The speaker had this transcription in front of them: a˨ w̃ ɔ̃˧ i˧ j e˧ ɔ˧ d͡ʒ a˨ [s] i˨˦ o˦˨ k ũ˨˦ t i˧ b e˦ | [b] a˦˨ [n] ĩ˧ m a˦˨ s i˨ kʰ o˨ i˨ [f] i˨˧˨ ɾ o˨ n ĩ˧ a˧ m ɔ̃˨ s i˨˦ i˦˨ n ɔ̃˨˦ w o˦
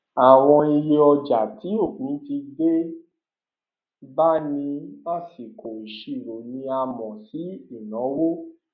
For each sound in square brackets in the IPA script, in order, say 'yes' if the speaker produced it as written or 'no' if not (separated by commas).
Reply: no, yes, yes, no